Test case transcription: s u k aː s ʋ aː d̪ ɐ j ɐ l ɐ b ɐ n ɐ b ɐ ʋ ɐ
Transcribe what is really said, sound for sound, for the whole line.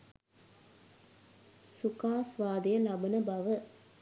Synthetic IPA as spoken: s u k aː s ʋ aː d̪ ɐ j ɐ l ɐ b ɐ n ɐ b ɐ ʋ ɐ